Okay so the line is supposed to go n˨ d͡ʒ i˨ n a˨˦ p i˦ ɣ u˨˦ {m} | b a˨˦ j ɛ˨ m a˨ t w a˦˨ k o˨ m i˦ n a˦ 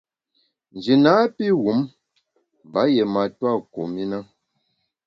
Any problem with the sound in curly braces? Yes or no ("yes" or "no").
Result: no